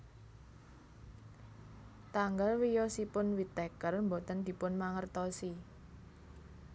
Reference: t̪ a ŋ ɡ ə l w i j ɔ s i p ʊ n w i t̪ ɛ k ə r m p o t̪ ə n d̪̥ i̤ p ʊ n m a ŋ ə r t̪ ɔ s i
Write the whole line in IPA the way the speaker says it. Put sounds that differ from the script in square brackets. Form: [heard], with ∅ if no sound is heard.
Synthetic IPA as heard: t̪ a ŋ ɡ [a] l w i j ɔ s i p ʊ n w i t̪ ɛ k ə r m [b] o t̪ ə n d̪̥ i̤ p ʊ n m a ŋ ə r t̪ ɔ s i